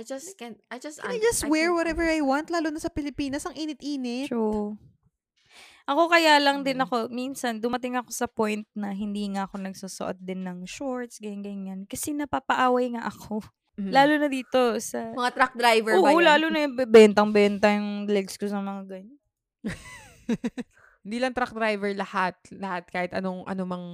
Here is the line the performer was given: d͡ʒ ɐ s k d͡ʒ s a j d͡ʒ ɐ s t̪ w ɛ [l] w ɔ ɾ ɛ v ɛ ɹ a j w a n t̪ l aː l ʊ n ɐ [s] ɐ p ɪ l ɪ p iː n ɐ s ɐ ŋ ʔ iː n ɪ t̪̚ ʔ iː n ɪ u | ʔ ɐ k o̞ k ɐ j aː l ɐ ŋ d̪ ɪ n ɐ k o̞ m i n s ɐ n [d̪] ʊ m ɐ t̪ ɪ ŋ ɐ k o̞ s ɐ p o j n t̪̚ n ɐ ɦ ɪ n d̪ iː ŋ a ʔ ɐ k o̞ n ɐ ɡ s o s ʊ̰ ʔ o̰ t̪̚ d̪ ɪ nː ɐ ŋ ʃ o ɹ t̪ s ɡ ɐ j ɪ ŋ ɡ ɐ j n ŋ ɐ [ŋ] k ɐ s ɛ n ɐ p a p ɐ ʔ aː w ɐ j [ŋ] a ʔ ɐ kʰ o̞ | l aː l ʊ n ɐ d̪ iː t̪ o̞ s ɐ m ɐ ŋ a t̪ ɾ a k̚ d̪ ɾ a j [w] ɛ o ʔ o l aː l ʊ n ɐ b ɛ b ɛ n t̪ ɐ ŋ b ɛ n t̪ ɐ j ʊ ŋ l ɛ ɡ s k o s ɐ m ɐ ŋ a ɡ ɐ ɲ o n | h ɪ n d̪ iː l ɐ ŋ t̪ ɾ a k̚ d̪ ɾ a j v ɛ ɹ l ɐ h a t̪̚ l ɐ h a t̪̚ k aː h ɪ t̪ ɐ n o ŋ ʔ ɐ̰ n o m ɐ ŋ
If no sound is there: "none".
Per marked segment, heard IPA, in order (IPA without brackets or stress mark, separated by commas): ɹ, s, d̪, n, ŋ, v